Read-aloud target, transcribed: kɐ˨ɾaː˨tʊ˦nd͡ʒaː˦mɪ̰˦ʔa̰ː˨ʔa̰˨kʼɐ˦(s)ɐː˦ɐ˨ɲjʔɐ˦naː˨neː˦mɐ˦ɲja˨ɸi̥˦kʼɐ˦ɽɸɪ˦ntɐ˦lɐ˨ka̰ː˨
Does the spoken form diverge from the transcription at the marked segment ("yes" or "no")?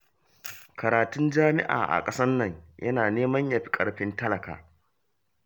no